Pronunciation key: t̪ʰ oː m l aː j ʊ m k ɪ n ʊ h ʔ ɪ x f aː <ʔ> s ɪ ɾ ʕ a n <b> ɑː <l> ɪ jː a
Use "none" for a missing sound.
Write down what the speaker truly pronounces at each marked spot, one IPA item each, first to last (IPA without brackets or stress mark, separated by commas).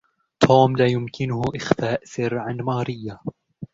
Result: ʔ, m, ɾ